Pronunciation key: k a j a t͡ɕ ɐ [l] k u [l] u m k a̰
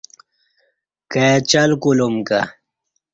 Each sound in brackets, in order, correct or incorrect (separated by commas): correct, correct